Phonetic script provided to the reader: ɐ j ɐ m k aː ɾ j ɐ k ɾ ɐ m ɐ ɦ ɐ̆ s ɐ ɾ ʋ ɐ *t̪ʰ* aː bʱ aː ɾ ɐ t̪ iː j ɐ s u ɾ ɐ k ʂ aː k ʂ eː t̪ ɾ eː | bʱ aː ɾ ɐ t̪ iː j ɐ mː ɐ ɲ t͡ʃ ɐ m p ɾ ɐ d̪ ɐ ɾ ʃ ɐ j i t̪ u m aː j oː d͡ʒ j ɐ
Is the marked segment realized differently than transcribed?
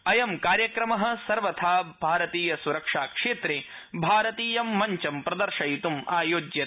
no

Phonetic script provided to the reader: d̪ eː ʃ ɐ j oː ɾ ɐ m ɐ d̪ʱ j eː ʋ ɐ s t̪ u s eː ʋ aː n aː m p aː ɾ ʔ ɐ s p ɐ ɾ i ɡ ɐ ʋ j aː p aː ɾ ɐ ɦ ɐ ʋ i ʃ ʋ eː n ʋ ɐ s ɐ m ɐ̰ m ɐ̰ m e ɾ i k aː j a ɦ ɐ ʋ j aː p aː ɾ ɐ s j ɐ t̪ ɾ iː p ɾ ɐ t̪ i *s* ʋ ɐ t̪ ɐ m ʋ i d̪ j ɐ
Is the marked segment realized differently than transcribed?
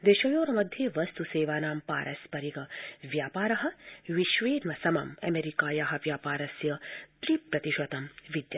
yes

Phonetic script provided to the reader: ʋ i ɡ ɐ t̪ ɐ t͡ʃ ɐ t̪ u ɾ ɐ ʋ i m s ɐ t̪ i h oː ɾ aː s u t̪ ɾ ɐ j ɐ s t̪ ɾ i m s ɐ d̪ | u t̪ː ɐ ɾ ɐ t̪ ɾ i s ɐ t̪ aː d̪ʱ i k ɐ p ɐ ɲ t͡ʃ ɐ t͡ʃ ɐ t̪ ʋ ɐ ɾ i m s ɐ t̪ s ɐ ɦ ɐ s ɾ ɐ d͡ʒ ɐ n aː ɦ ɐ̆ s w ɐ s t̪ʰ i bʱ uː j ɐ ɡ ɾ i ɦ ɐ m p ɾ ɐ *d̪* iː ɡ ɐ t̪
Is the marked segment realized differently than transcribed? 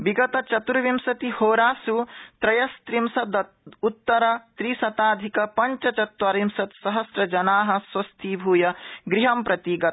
yes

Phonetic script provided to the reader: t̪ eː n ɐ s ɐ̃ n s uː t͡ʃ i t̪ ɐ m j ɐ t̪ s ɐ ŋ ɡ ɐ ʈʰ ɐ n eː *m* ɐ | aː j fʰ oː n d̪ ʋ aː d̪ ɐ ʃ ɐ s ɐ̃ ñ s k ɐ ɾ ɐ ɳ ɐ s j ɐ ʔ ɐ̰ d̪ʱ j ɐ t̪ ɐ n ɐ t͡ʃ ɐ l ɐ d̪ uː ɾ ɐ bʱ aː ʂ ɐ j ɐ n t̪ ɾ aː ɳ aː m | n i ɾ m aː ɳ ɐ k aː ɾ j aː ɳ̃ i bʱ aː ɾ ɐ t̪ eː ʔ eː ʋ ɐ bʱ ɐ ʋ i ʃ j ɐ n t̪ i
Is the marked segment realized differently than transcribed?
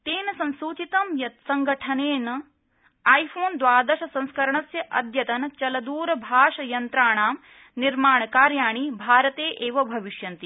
yes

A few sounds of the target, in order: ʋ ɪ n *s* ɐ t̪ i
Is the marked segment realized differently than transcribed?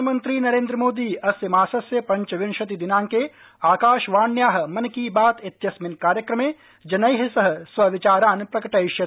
yes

